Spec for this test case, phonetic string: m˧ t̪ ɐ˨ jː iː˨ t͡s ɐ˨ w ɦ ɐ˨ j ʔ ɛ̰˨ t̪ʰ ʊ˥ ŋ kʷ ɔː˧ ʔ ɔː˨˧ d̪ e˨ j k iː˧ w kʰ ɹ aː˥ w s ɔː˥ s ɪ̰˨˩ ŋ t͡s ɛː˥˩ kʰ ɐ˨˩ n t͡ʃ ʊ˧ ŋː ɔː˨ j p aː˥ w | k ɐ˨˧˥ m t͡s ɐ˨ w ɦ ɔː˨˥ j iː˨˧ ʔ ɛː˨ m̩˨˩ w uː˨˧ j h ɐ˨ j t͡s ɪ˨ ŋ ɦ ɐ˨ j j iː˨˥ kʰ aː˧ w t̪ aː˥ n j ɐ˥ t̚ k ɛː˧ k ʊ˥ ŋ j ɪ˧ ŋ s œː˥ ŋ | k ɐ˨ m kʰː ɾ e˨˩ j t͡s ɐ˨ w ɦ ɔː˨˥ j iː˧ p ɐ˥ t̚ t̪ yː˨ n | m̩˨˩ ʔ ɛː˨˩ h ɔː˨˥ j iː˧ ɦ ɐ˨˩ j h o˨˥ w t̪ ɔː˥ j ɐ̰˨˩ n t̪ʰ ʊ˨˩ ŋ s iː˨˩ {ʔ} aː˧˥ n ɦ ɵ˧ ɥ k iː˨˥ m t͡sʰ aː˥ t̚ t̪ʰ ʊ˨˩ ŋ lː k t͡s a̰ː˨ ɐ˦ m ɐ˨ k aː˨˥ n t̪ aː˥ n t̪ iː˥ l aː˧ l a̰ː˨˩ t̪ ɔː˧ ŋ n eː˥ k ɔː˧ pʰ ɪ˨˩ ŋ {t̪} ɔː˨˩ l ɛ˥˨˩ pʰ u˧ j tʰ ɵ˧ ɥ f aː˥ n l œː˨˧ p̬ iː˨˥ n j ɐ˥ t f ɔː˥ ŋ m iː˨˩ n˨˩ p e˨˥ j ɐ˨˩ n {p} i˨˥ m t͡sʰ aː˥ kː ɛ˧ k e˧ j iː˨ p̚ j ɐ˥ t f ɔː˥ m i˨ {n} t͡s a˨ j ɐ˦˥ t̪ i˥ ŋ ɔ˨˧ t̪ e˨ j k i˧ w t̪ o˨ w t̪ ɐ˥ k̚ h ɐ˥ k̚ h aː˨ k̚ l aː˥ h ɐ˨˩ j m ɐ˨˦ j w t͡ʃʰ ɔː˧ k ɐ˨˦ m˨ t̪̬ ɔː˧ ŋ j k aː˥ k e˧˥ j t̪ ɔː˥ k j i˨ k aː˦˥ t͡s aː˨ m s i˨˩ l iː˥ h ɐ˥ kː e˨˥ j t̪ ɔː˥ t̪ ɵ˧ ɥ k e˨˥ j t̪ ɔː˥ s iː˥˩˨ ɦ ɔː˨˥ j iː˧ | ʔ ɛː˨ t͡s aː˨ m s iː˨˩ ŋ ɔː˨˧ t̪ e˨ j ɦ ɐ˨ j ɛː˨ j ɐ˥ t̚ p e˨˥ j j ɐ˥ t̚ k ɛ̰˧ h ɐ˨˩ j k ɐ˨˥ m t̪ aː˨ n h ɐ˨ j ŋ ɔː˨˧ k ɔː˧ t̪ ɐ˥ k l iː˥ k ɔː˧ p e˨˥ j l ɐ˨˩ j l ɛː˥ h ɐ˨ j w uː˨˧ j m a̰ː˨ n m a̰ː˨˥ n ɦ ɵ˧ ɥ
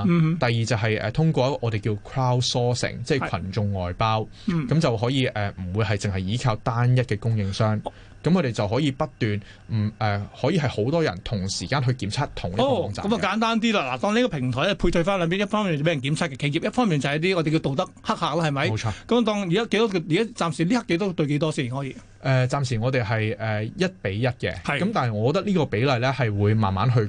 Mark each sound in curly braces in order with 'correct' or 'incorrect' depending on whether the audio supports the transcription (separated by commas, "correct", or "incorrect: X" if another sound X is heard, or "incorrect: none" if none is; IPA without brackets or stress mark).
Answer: incorrect: k, incorrect: t̪ʰ, incorrect: k, correct